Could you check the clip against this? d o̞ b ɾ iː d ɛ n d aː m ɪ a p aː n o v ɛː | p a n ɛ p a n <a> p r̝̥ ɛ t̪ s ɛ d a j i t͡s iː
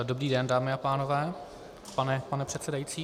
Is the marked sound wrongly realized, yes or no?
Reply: yes